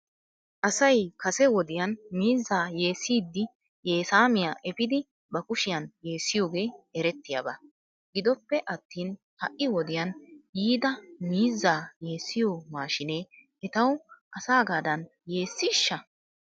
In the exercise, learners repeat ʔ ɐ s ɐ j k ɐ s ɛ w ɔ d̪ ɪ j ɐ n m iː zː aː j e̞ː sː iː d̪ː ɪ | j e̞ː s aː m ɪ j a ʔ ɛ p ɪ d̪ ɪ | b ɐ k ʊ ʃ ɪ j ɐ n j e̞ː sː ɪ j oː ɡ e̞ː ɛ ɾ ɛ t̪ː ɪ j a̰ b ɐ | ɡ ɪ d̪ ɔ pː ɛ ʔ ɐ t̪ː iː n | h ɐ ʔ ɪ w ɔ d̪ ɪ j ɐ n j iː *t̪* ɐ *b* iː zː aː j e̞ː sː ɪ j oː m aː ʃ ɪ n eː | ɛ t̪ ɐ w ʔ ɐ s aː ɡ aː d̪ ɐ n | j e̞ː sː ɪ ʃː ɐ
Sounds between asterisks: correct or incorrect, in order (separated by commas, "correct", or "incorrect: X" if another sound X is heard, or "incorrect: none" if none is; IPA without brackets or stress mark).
incorrect: d̪, incorrect: m